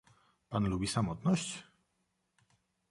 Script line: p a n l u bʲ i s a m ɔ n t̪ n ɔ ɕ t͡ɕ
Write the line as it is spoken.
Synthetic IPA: p a n l u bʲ i s a m ɔ t̪ n ɔ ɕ t͡ɕ